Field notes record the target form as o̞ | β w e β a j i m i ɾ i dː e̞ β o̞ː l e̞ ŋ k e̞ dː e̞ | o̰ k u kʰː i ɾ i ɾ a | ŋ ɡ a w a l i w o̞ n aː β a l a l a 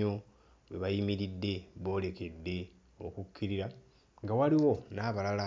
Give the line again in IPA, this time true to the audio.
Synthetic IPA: o̞ | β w e β a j i m i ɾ i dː e̞ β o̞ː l e̞ k e̞ dː e̞ | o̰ k u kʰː i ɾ i ɾ a | ŋ ɡ a w a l i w o̞ n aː β a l a l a